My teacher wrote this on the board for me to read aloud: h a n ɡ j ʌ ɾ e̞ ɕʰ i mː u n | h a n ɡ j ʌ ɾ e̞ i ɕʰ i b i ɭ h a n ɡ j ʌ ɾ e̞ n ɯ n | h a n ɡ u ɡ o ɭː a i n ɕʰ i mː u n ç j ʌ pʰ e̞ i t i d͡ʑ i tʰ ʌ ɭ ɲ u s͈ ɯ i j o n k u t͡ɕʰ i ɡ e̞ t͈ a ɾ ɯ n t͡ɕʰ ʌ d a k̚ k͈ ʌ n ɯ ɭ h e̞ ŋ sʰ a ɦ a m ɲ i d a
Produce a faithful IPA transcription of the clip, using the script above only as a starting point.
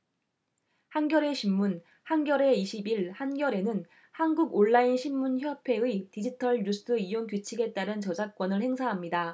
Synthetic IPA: h a n ɡ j ʌ ɾ e̞ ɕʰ i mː u n | h a n ɡ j ʌ ɾ e̞ i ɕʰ i b i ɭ h a n ɡ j ʌ ɾ e̞ n ɯ n | h a n ɡ u ɡ o ɭː a i n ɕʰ i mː u n ç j ʌ pʰ e̞ i t i d͡ʑ i tʰ ʌ ɭ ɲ u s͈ ɯ i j o n k u t͡ɕʰ i ɡ e̞ t͈ a ɾ ɯ n t͡ɕ ʌ d͡ʑ a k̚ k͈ ʌ n ɯ ɭ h e̞ ŋ sʰ a ɦ a m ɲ i d a

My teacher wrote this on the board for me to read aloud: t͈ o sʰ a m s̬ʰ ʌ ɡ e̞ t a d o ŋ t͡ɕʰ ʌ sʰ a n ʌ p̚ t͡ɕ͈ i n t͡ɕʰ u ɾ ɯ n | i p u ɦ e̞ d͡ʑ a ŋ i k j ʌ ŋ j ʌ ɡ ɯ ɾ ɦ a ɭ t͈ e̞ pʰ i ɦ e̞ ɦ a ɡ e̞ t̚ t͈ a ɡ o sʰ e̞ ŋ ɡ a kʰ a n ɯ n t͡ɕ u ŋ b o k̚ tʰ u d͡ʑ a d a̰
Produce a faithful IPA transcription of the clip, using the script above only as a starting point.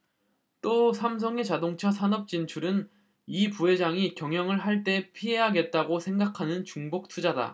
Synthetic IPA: t͈ o sʰ a m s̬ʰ ʌ ŋ e̞ t͡ɕ a d o ŋ t͡ɕʰ ʌ sʰ a n ʌ p̚ t͡ɕ͈ i n t͡ɕʰ u ɾ ɯ n | i p u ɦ e̞ d͡ʑ a ŋ i k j ʌ ŋ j ʌ ŋ ɯ ɭ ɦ a ɭ t͈ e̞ pʰ i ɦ e̞ ɦ a ɡ e̞ t̚ t͈ a ɡ o sʰ e̞ ŋ ɡ a kʰ a n ɯ n t͡ɕ u ŋ b o k̚ tʰ u d͡ʑ a d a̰

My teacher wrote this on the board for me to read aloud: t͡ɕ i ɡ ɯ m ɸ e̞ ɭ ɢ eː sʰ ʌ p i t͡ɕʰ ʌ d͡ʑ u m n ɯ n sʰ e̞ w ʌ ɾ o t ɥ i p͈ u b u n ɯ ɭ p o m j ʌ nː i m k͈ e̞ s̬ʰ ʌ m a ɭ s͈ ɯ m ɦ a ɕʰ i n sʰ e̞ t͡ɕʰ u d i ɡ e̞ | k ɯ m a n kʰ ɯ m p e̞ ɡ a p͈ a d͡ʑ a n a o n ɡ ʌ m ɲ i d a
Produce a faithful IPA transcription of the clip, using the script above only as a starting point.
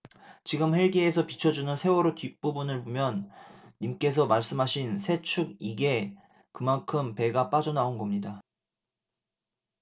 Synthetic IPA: t͡ɕ i ɡ ɯ m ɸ e̞ ɭ ɡ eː sʰ ʌ p i t͡ɕʰ ʌ d͡ʑ u n ɯ n sʰ e̞ w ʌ ɾ o t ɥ i p͈ u b u n ɯ ɭ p o m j ʌ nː i m k͈ e̞ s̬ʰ ʌ m a ɭ s͈ ɯ m ɦ a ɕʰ i n sʰ e̞ t͡ɕʰ u ɡ i ɡ e̞ | k ɯ m a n kʰ ɯ m p e̞ ɡ a p͈ a d͡ʑ ʌ n a o n ɡ ʌ m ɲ i d a

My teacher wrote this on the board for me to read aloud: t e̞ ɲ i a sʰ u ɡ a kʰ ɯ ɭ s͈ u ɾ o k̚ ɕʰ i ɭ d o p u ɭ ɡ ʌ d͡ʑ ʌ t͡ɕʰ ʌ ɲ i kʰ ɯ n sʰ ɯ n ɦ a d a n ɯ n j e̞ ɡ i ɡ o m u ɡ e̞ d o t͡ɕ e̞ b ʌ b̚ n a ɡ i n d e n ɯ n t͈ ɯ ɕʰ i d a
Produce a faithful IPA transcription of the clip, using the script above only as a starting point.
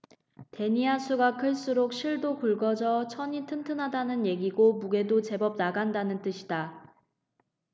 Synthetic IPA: t e̞ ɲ i a sʰ u ɡ a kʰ ɯ ɭ s͈ u ɾ o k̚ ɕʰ i ɭ d o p u ɭ ɡ ʌ d͡ʑ ʌ t͡ɕʰ ʌ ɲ i tʰ ɯ n tʰ ɯ n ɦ a d a n ɯ n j e̞ ɡ i ɡ o m u ɡ e̞ d o t͡ɕ e̞ b ʌ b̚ n a ɡ a n d a n ɯ n t͈ ɯ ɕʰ i d a

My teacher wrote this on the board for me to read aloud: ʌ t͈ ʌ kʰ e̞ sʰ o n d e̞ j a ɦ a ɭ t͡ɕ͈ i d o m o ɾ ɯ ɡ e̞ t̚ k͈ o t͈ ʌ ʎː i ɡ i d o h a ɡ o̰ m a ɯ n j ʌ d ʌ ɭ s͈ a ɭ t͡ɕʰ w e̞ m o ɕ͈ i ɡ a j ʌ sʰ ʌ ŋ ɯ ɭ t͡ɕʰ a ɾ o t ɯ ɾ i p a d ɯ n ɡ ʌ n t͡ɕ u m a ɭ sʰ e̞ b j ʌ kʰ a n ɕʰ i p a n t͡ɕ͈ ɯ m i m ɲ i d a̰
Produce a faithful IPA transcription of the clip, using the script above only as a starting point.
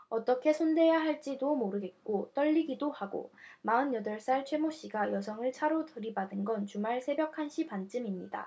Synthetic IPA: ʌ t͈ ʌ kʰ e̞ sʰ o n d e̞ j a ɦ a ɭ t͡ɕ͈ i d o m o ɾ ɯ ɡ e̞ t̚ k͈ o t͈ ʌ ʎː i ɡ i d o h a ɡ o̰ m a ɯ n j ʌ d ʌ ɭ s͈ a ɭ t͡ɕʰ w e̞ m o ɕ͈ i ɡ a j ʌ sʰ ʌ ŋ ɯ ɭ t͡ɕʰ a ɾ o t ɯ ɾ i b a d ɯ n ɡ ʌ n t͡ɕ u m a ɭ sʰ e̞ b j ʌ kʰ a n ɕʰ i p a n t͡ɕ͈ ɯ m i m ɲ i d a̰

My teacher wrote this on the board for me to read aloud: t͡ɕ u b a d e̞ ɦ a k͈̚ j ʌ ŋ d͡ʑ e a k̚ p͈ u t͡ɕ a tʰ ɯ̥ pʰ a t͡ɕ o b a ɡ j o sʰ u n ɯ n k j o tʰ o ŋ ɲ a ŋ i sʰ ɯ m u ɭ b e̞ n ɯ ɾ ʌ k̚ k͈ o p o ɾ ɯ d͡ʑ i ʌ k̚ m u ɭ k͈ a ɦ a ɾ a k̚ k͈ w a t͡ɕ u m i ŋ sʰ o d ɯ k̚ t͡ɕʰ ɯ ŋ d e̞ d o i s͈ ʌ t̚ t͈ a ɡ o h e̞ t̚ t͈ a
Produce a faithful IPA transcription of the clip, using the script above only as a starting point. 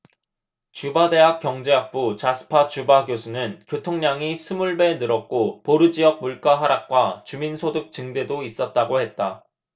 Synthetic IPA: t͡ɕ u b a d e̞ ɦ a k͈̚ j ʌ ŋ d͡ʑ e a k̚ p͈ u t͡ɕ a sʰ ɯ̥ pʰ a t͡ɕ u b a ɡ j o sʰ u n ɯ n k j o tʰ o ŋ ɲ a ŋ i sʰ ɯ m u ɭ b e̞ n ɯ ɾ ʌ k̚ k͈ o p o ɾ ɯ d͡ʑ i ʌ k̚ m u ɭ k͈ a ɦ a ɾ a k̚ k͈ w a t͡ɕ u m i n sʰ o d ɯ k̚ t͡ɕ ɯ ŋ d e̞ d o i s͈ ʌ t̚ t͈ a ɡ o h e̞ t̚ t͈ a

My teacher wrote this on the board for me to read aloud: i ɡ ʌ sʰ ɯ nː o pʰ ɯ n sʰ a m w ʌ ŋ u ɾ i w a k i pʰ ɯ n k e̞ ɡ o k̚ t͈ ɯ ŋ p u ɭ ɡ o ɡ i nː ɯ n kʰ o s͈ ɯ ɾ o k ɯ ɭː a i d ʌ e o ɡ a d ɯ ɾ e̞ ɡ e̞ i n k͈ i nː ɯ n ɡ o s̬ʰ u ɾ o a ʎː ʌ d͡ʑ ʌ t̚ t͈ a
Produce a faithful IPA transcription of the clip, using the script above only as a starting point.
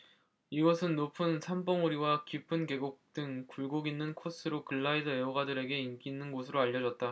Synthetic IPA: i ɡ ʌ sʰ ɯ nː o pʰ ɯ n sʰ a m b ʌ ŋ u ɾ i w a k i pʰ ɯ n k e̞ ɡ o k̚ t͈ ɯ ŋ k u ɭ ɡ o ɡ i nː ɯ n kʰ o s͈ ɯ ɾ o k ɯ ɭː a i d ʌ e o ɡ a d ɯ ɾ e̞ ɡ e̞ i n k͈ i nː ɯ n ɡ o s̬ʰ ɯ ɾ o a ʎː ʌ d͡ʑ ʌ t̚ t͈ a

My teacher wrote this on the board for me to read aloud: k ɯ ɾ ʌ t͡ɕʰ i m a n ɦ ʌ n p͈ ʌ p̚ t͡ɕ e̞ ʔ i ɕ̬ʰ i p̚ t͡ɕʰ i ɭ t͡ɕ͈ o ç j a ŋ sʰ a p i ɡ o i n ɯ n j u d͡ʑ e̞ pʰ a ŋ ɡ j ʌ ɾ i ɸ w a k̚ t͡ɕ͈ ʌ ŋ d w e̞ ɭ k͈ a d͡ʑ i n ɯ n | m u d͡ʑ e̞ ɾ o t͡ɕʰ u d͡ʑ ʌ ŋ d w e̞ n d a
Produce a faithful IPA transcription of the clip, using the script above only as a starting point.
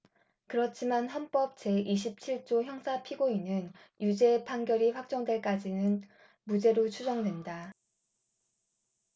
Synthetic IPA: k ɯ ɾ ʌ t͡ɕʰ i m a n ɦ ʌ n p͈ ʌ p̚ t͡ɕ e̞ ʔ i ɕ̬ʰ i p̚ t͡ɕʰ i ɭ t͡ɕ͈ o ç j ʌ ŋ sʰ a pʰ i ɡ o i n ɯ n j u d͡ʑ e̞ pʰ a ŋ ɡ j ʌ ɾ i ɸ w a k̚ t͡ɕ͈ ʌ ŋ d w e̞ ɭ k͈ a d͡ʑ i n ɯ n | m u d͡ʑ e̞ ɾ o t͡ɕʰ u d͡ʑ ʌ ŋ d w e̞ n d a

